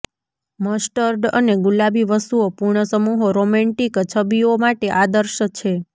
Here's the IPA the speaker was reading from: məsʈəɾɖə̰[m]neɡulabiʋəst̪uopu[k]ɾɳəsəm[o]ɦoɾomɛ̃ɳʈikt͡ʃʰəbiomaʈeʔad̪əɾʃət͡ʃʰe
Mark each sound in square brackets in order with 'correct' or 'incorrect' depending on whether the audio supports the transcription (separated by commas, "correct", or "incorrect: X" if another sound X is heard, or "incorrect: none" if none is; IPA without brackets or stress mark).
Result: incorrect: none, incorrect: none, incorrect: u